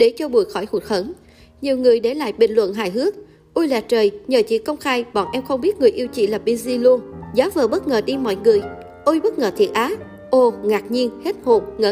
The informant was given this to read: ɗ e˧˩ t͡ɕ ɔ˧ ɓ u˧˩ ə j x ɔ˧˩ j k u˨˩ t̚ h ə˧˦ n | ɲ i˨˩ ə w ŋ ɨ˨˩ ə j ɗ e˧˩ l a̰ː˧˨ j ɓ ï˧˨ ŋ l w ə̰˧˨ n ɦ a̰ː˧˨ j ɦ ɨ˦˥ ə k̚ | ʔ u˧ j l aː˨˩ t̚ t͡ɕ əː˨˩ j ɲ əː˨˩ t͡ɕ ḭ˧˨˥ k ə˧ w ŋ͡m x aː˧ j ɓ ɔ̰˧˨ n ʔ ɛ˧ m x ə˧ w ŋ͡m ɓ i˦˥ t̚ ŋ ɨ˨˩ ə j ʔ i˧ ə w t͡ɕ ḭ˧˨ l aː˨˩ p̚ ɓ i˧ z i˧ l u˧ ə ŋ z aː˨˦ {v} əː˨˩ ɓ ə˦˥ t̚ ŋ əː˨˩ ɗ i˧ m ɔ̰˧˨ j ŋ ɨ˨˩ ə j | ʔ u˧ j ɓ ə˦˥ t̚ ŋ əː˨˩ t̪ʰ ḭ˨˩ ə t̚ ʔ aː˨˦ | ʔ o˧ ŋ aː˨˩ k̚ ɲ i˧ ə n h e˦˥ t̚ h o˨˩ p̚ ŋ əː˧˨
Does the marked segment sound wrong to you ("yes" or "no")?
no